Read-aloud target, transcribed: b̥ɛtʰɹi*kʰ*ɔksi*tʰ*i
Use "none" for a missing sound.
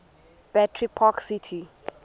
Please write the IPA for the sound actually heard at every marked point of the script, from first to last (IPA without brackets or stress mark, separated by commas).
pʰ, tʰ